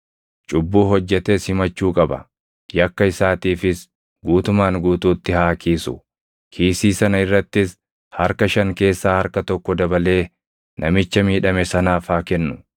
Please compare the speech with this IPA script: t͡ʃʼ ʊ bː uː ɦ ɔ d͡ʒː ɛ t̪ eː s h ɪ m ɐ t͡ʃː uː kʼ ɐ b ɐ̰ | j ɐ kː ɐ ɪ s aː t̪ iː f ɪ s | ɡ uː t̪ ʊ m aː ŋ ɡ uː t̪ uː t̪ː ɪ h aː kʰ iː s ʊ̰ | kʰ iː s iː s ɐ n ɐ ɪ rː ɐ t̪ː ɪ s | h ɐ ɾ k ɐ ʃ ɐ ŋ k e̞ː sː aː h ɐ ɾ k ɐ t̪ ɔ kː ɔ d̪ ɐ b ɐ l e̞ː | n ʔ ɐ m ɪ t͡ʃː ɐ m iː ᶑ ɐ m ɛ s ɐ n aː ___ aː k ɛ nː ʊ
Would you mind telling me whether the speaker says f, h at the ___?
f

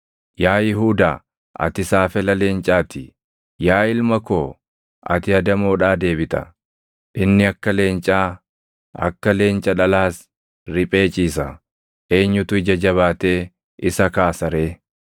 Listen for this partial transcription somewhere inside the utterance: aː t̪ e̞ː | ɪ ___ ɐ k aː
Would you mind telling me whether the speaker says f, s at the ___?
s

